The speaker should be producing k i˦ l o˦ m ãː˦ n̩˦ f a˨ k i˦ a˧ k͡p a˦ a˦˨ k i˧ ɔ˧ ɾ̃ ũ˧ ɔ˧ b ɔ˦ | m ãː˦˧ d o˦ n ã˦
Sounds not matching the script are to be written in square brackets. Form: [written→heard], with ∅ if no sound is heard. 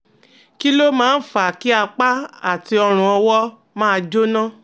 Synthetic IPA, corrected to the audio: k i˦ l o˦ m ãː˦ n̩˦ f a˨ k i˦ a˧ k͡p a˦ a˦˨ [k→t] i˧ ɔ˧ ɾ̃ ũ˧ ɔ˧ [b→w] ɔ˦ | m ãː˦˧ [d→d͡ʒ] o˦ n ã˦